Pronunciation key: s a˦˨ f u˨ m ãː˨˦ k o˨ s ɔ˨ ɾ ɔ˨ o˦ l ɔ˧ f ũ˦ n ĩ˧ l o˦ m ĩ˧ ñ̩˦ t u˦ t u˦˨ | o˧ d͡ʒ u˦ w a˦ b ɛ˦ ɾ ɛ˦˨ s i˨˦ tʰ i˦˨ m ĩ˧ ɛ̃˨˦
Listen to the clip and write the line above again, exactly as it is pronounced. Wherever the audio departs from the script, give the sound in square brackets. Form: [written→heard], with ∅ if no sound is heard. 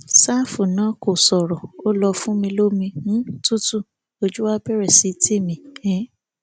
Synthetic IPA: s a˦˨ f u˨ [m→n] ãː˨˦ k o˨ s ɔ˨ ɾ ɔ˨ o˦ l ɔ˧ f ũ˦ [n→m] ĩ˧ l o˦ m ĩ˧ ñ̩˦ t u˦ t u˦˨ | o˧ d͡ʒ u˦ w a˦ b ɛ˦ ɾ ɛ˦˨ s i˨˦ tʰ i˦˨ m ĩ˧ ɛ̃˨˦

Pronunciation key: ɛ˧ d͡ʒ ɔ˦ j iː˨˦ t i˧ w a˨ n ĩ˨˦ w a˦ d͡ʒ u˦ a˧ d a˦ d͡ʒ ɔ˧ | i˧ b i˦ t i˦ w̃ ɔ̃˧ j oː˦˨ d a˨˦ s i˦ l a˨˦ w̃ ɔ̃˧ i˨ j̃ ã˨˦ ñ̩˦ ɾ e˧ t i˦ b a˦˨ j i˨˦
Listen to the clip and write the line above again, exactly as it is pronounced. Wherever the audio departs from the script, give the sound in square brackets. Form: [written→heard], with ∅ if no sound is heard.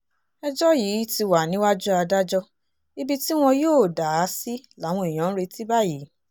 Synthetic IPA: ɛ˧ d͡ʒ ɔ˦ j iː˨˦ t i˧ w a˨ n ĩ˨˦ w a˦ d͡ʒ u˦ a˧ d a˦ d͡ʒ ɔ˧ | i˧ b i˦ t i˦ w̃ ɔ̃˧ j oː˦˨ d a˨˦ s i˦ l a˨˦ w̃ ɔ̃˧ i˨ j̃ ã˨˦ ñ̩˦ ɾ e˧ t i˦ b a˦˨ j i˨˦

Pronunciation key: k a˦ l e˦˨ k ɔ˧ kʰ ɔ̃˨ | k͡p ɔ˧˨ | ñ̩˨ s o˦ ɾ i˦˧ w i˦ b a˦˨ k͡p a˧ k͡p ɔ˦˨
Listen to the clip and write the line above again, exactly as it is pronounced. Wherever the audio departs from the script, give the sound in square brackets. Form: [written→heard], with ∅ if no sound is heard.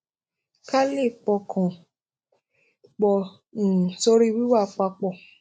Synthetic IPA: k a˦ l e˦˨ [k→k͡p] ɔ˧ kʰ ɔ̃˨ | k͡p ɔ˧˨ | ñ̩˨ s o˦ ɾ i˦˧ w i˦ [b→w] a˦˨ k͡p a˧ k͡p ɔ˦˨

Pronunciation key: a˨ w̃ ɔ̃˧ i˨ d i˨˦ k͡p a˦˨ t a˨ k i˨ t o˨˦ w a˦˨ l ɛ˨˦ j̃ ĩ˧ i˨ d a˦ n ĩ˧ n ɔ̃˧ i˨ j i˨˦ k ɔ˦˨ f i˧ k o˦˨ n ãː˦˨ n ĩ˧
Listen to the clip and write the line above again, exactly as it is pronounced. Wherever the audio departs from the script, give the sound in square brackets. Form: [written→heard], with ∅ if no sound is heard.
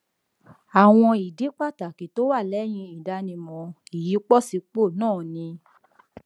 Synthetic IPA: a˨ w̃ ɔ̃˧ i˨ d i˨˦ k͡p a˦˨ t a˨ k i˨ t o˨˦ w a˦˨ l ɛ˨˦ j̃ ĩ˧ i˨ d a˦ n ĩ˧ [n→m] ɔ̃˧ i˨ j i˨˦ [k→k͡p] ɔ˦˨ [f→s] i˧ [k→k͡p] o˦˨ n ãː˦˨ n ĩ˧

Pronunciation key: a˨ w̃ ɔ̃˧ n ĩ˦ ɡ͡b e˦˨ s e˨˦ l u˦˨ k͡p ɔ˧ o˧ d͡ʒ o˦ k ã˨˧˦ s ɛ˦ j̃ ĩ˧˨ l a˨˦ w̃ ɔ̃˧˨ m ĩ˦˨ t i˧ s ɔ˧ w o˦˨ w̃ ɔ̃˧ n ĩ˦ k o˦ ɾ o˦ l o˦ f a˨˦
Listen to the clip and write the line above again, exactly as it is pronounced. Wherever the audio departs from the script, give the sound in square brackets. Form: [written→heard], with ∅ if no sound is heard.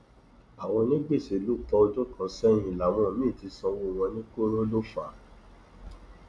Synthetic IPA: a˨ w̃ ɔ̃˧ n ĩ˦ ɡ͡b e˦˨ s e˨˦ l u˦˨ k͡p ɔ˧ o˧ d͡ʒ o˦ k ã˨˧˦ s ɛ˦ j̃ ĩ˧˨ l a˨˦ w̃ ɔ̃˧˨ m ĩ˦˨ t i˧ s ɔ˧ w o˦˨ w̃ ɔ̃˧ n ĩ˦ k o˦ ɾ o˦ l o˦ f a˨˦

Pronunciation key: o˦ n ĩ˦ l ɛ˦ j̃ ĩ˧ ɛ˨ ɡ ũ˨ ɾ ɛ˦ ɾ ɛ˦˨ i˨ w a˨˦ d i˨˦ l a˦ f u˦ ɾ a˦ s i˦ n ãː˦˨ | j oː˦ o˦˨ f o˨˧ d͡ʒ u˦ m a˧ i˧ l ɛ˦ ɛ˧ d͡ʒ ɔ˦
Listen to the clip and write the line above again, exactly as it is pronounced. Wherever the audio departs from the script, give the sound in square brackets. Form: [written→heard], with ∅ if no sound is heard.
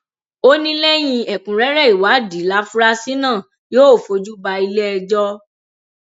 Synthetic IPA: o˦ n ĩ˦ l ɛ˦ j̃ ĩ˧ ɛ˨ [ɡ→k] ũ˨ ɾ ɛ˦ ɾ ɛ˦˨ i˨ w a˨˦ d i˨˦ l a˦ f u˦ ɾ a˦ s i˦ n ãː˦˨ | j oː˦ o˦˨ f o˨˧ d͡ʒ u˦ [m→b] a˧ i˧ l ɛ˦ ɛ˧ d͡ʒ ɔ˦

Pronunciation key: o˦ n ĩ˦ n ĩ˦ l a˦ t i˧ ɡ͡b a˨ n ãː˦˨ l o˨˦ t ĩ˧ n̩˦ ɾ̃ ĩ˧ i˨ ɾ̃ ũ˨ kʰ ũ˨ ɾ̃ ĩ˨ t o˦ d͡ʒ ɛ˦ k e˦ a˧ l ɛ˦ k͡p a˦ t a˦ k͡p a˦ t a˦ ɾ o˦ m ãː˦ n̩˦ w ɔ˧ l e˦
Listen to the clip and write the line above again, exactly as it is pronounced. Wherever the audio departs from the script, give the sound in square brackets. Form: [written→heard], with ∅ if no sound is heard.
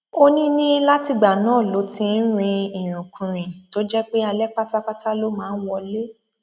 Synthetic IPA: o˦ n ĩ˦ n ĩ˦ l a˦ t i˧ ɡ͡b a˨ n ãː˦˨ l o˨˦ t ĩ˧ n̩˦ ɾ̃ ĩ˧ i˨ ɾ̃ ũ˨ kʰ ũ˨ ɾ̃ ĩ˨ t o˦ d͡ʒ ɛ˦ [k→k͡p] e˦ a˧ l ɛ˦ k͡p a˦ t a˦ k͡p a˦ t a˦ [ɾ→l] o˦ m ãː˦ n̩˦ w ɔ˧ l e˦

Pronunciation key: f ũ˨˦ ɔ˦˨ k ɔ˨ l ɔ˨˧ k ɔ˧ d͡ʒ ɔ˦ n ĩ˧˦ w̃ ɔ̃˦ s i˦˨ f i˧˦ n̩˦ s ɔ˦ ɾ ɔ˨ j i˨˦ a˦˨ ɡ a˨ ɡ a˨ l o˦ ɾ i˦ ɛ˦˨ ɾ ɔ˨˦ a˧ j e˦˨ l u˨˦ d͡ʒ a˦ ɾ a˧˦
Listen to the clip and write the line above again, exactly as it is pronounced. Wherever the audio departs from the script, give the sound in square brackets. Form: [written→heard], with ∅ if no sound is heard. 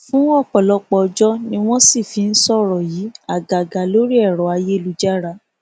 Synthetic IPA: f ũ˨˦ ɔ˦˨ [k→k͡p] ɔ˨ l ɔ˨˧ [k→k͡p] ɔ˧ d͡ʒ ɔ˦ n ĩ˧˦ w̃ ɔ̃˦ s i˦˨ f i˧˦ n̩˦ s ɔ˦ ɾ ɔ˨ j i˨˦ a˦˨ ɡ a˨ ɡ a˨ l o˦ ɾ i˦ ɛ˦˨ ɾ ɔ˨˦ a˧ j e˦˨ l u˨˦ d͡ʒ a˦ ɾ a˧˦

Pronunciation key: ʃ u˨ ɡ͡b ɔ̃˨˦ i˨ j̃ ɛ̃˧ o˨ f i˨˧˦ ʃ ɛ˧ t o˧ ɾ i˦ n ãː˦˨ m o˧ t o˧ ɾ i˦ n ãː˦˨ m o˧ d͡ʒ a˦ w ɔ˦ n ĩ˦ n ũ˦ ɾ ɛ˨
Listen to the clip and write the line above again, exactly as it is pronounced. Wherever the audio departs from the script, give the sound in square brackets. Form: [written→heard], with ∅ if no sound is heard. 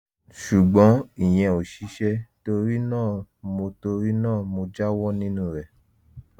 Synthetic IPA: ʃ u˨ ɡ͡b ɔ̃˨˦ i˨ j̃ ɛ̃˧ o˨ [f→ʃ] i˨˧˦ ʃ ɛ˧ t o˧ ɾ i˦ n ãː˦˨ m o˧ t o˧ ɾ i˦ n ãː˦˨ m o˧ d͡ʒ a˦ w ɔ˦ n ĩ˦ n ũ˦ ɾ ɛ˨

